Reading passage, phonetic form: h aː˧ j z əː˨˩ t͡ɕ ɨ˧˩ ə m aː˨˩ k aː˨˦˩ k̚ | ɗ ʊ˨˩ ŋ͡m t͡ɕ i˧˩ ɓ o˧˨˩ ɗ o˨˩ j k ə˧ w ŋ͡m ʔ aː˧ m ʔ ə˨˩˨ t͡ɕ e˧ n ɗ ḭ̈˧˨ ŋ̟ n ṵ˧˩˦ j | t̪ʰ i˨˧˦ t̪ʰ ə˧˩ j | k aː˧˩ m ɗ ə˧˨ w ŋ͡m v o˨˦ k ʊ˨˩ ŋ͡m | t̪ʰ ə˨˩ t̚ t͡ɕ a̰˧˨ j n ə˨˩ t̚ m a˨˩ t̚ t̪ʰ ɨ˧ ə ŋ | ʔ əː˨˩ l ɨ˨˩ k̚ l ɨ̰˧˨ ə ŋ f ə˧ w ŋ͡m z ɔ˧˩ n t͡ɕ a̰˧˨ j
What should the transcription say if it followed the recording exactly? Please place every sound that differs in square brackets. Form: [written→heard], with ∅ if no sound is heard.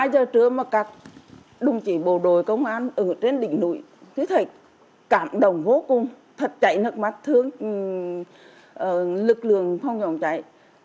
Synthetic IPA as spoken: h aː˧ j z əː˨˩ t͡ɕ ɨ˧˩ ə m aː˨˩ k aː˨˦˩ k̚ | ɗ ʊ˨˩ ŋ͡m t͡ɕ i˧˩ ɓ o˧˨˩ ɗ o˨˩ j k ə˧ w ŋ͡m ʔ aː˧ [m→n] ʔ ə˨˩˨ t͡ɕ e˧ n ɗ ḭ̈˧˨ ŋ̟ n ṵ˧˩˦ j | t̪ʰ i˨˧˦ t̪ʰ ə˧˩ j | k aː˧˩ m ɗ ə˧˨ w ŋ͡m v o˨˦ k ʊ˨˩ ŋ͡m | t̪ʰ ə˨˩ t̚ t͡ɕ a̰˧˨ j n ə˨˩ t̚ m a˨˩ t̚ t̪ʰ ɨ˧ ə ŋ | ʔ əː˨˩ l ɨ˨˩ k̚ l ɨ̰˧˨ ə ŋ f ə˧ w ŋ͡m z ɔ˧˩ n t͡ɕ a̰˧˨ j